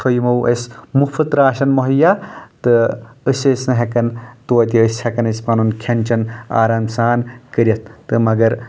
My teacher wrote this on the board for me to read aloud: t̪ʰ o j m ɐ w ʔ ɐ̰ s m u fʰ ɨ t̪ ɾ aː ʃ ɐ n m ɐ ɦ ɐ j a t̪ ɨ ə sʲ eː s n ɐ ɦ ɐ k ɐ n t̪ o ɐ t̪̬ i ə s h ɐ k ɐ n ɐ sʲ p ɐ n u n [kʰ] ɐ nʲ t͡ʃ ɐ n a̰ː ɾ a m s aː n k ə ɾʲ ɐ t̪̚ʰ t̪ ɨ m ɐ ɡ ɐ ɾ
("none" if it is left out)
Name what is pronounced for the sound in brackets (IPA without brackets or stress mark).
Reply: kʰ